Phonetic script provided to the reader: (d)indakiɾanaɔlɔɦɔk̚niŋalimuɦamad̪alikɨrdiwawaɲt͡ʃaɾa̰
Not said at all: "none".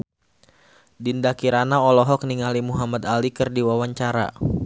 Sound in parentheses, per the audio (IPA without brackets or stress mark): d